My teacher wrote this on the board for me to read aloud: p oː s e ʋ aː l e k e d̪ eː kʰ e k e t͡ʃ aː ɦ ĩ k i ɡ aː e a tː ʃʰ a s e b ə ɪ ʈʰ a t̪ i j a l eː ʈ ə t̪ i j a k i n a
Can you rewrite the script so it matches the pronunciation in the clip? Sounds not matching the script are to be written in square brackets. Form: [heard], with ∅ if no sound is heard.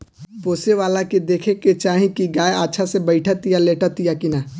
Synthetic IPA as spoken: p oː s e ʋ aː l [a] k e d̪ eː kʰ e k e t͡ʃ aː ɦ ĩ k i ɡ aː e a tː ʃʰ a s e b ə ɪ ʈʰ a t̪ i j a l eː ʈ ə t̪ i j a k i n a